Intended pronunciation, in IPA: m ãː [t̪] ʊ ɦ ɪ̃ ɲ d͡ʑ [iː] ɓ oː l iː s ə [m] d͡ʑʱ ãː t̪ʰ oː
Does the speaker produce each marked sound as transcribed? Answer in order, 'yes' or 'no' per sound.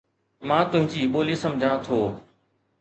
yes, yes, yes

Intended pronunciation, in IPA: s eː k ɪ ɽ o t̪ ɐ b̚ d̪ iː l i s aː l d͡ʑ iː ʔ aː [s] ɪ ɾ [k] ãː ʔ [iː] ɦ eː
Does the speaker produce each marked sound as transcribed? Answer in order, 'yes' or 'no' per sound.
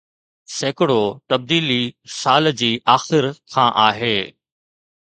no, no, no

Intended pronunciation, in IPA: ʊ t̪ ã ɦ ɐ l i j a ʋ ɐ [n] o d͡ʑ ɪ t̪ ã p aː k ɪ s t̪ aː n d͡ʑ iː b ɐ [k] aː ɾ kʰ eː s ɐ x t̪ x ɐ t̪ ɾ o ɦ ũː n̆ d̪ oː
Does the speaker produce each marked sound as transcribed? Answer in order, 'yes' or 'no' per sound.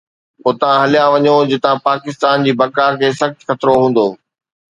no, yes

